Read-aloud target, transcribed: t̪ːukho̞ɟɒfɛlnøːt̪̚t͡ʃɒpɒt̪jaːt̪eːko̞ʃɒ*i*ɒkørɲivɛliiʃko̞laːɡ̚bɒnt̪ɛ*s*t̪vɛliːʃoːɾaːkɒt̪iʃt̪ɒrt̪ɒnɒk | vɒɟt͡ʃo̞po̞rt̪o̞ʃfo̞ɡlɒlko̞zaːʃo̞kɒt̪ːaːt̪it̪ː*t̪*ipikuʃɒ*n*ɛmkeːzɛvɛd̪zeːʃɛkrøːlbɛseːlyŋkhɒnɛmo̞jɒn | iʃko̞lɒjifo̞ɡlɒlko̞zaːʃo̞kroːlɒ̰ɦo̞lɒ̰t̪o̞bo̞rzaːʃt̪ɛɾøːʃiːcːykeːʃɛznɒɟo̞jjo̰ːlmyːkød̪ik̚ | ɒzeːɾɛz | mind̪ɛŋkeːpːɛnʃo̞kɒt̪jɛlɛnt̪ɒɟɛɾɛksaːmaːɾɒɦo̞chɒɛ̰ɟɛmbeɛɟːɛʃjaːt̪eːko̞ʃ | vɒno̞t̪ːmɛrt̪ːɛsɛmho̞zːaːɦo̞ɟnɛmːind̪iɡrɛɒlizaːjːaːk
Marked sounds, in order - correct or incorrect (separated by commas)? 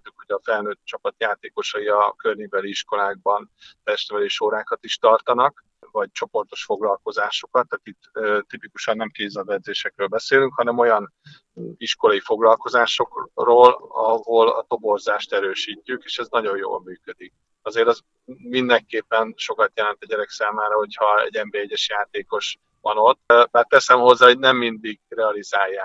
correct, incorrect, correct, incorrect